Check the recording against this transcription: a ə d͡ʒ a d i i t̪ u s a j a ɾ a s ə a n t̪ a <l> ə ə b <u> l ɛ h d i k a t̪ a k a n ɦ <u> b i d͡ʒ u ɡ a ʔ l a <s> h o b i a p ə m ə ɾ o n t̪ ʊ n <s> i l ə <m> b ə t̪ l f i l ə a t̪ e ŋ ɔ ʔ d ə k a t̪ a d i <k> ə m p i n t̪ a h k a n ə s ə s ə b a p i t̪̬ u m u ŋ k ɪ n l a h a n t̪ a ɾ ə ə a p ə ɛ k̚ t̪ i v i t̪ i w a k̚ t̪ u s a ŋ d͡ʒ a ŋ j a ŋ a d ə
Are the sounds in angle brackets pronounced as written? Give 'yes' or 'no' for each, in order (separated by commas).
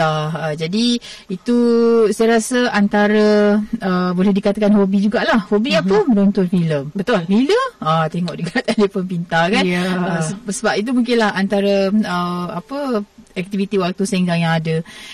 no, no, no, no, no, yes, no